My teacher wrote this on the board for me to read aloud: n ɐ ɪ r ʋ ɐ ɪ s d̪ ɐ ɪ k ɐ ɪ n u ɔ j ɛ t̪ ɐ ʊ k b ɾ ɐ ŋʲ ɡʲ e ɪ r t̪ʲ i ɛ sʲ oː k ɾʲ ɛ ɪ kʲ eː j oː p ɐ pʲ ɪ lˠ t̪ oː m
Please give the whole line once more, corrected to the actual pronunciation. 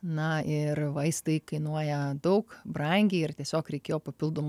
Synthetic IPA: n ɐ ɪ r ʋ ɐ ɪ s t̪ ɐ ɪ k ɐ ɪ n u ɔ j ɛ d̪ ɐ ʊ k b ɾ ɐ ŋʲ ɡʲ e ɪ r t̪ʲ i ɛ sʲ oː k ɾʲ ɛ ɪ kʲ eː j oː p ɐ pʲ ɪ lˠ d̪ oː m